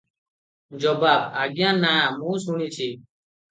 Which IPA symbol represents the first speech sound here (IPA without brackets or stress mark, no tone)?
d͡ʒ